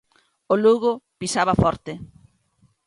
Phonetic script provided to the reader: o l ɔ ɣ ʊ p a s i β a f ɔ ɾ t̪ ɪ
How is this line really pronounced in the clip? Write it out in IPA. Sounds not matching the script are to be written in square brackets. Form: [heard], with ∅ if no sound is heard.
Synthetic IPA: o l [u] ɣ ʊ p [i] s [a] β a f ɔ ɾ t̪ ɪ